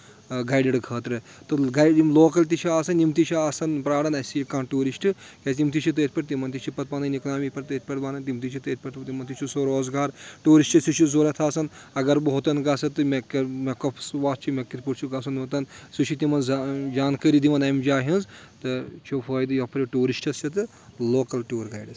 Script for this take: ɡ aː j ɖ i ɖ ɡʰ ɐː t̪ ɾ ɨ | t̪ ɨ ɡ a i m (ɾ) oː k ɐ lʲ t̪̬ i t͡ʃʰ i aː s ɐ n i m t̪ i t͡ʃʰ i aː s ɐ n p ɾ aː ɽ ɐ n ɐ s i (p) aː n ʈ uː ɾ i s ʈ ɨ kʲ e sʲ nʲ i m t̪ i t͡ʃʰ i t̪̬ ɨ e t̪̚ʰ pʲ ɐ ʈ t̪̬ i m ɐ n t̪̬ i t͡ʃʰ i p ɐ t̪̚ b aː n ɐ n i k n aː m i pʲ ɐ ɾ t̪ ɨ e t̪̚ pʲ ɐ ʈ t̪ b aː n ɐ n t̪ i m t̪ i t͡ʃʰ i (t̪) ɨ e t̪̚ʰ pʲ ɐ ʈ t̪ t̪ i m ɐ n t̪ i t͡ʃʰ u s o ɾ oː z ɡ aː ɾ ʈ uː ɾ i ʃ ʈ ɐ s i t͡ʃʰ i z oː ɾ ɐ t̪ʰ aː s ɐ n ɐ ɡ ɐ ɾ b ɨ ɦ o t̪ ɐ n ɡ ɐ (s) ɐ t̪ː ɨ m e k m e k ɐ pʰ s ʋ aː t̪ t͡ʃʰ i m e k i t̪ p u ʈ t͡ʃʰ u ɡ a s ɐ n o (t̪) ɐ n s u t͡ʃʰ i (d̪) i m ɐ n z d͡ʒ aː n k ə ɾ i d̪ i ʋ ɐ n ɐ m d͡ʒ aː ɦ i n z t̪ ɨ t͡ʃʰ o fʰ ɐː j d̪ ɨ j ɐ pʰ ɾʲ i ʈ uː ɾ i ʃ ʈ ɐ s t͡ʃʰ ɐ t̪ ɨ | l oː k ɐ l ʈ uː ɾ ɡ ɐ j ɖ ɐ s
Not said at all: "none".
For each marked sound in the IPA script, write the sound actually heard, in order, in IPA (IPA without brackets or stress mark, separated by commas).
l, k, t̪, s, t̪, t̪